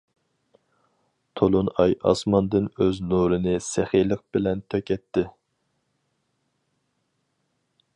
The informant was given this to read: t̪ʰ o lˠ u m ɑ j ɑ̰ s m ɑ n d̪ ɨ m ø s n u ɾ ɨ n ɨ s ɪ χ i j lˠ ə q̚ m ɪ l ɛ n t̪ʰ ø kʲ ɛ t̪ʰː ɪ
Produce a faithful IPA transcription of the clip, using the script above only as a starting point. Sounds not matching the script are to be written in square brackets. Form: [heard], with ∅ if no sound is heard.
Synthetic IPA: t̪ʰ o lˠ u [n] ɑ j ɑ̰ s m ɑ n d̪ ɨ [n] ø [z] n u ɾ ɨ n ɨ s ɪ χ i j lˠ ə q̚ [b] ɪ l ɛ n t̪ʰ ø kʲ ɛ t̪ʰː ɪ